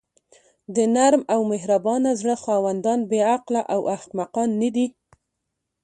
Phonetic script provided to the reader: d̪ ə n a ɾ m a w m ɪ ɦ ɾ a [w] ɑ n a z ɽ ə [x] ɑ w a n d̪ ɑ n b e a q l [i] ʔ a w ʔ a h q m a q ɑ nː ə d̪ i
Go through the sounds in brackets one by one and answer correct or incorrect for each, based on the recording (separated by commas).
incorrect, correct, incorrect